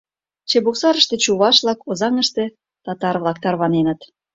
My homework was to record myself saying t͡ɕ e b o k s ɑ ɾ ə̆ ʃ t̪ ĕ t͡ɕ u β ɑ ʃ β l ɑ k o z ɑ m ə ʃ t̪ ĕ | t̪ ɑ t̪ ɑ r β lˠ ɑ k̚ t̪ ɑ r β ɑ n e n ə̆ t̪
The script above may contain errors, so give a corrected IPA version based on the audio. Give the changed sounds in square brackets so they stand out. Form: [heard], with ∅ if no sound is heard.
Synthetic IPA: t͡ɕ e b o k s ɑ ɾ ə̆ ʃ t̪ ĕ t͡ɕ u β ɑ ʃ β l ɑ k o z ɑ [ŋ] ə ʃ t̪ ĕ | t̪ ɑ t̪ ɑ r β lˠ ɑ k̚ t̪ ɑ r β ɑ n e n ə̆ t̪